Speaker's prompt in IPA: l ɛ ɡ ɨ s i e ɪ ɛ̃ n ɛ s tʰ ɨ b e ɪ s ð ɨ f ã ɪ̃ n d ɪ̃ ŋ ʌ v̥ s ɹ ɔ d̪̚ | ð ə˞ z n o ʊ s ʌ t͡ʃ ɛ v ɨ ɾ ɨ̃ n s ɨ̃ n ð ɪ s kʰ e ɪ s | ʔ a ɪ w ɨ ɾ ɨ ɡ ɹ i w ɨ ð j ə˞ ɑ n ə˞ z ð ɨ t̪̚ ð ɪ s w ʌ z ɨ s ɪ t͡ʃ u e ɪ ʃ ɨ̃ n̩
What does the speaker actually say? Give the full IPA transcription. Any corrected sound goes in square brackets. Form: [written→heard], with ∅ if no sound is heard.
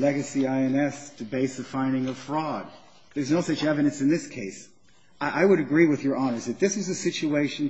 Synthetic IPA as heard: l ɛ ɡ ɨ s i [e→a] ɪ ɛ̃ n ɛ s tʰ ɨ b e ɪ s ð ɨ f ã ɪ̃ n d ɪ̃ ŋ ʌ v̥ [s→f] ɹ ɔ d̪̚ | ð ə˞ z n o ʊ s ʌ t͡ʃ ɛ v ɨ ɾ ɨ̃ n s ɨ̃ n ð ɪ s kʰ e ɪ s | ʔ a ɪ w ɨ ɾ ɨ ɡ ɹ i w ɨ ð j ə˞ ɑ n ə˞ z ð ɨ t̪̚ ð ɪ s w ʌ z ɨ s ɪ t͡ʃ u e ɪ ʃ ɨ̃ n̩